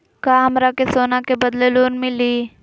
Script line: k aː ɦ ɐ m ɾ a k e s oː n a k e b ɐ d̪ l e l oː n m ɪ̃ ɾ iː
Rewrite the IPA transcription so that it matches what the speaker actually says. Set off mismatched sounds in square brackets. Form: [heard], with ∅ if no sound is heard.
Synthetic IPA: k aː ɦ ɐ m ɾ a k e s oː n a k e b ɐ d̪ l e l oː n m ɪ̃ [l] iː

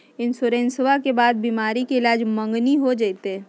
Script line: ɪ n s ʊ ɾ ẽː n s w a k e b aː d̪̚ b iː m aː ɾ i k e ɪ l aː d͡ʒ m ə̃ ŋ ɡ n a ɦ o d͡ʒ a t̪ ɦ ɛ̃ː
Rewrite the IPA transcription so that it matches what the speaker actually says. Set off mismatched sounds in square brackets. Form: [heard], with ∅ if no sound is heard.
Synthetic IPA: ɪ n s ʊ ɾ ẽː n s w a k e b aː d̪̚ b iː m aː ɾ i k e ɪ l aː d͡ʒ m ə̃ ŋ ɡ n [i] ɦ o d͡ʒ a t̪ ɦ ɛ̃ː

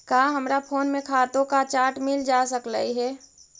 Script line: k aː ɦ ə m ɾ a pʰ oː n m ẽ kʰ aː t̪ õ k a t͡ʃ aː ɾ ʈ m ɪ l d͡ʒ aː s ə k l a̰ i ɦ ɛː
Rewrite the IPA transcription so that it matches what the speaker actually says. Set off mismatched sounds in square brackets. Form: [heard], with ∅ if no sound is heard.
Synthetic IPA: k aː ɦ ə m ɾ a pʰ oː n m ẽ kʰ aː t̪ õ k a t͡ʃ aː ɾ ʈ m ɪ l d͡ʒ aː s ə k l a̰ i ɦ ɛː

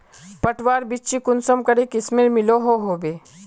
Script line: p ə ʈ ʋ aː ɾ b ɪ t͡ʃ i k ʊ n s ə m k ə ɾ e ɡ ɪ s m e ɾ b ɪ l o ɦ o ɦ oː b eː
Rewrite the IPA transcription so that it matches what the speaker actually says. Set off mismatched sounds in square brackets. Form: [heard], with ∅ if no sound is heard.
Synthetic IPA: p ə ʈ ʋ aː ɾ b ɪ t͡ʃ i k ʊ n s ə m k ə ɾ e [k] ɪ s m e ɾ [m] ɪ l o ɦ o ɦ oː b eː

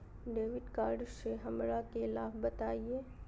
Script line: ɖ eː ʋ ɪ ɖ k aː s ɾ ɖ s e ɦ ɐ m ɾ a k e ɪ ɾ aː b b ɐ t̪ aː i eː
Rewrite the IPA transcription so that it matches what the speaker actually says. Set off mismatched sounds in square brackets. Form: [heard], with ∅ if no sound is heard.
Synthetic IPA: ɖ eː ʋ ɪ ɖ k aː [∅] ɾ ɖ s e ɦ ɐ m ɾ a k e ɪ [l] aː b b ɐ t̪ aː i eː

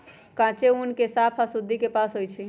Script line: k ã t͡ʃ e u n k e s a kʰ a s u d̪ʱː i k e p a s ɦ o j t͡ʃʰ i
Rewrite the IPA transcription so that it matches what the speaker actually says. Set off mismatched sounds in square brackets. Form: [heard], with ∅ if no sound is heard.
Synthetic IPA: k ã t͡ʃ e u n k e s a [pʰ] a s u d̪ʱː i k e p a s ɦ o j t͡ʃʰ i

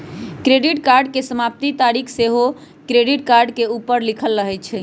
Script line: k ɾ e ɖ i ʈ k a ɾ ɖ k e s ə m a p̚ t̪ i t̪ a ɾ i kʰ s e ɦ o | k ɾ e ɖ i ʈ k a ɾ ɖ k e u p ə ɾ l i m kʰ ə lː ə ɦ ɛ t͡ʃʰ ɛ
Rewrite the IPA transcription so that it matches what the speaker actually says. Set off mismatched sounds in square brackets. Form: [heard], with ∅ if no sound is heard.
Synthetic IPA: k ɾ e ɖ i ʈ k a ɾ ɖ k e s ə m a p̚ t̪ i t̪ a ɾ i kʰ s e ɦ o | k ɾ e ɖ i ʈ k a ɾ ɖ k e u p ə ɾ l i [∅] kʰ ə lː ə ɦ ɛ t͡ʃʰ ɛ

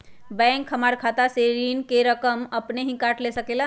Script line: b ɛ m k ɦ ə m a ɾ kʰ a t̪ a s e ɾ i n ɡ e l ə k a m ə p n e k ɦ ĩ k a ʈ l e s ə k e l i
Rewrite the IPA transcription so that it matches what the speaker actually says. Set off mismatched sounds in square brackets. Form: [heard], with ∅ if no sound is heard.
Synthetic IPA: b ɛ [ŋ] k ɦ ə m a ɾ kʰ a t̪ a s e ɾ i n [k] e [ɾ] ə k [ə] m ə p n e [∅] ɦ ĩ k a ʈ l e s ə k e l [a]

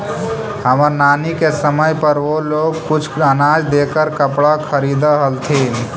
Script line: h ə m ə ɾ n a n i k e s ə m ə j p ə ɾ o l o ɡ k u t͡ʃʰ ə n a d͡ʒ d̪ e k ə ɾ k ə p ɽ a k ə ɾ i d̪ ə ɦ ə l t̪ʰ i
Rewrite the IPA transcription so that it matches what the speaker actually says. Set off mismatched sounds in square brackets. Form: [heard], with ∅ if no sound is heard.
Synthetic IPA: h ə m ə ɾ n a n i k e s ə m ə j p ə ɾ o l o ɡ k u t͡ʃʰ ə n a d͡ʒ d̪ e k ə ɾ k ə p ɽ a [kʰ] ə ɾ i d̪ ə ɦ ə l t̪ʰ i

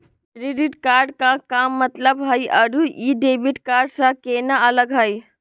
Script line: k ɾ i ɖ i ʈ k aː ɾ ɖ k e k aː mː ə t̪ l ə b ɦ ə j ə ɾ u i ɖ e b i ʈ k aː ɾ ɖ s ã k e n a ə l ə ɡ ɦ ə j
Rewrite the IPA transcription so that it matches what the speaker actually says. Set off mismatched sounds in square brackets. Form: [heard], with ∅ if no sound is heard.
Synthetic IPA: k ɾ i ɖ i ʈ k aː ɾ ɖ k [a] k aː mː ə t̪ l ə b ɦ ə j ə ɾ u i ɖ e b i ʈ k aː ɾ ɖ s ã k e n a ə l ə ɡ ɦ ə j

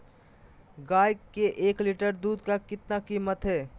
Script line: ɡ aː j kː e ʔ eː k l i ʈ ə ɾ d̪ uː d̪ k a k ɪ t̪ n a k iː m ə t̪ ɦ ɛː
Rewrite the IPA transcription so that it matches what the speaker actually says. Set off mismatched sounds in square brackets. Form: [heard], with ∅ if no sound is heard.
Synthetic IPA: ɡ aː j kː e ʔ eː k l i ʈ ə ɾ d̪ uː d̪ k a k ɪ t̪ n a k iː m ə t̪ ɦ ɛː

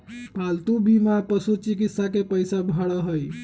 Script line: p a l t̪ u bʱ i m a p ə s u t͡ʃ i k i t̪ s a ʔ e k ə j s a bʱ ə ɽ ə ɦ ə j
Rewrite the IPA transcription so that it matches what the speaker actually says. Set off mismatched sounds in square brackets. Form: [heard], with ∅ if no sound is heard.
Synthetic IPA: p a l t̪ u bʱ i m a p ə s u t͡ʃ i k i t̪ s a [k] e [p] ə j s a bʱ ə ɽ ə ɦ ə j

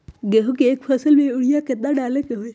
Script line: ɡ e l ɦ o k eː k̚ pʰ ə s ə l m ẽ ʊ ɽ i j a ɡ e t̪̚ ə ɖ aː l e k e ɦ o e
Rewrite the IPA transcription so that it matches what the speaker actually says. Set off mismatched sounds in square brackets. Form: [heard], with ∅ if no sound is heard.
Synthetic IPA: ɡ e [∅] ɦ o k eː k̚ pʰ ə s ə l m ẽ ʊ ɽ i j a [k] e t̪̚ [a] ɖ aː l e k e ɦ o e

